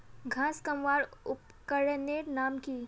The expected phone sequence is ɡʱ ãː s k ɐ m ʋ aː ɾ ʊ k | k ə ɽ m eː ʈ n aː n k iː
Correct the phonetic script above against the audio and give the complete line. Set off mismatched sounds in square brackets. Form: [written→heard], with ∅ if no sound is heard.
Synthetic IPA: ɡʱ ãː s k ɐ m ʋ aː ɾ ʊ [k→p] | k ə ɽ [m→n] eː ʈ n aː [n→m] k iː